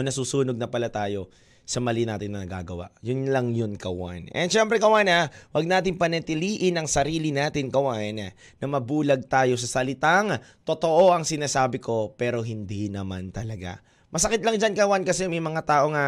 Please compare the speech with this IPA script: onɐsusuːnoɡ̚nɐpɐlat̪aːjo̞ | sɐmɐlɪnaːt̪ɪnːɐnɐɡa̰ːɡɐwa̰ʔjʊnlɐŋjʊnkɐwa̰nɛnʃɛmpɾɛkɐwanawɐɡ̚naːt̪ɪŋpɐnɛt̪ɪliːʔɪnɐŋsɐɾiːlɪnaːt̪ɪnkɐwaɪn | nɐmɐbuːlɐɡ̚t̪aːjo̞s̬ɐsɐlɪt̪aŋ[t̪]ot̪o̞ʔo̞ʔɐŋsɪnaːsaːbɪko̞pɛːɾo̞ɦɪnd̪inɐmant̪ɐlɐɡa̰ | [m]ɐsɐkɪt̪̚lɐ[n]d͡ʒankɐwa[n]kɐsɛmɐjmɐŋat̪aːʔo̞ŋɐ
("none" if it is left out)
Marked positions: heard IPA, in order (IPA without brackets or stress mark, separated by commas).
t̪, m, ŋ, n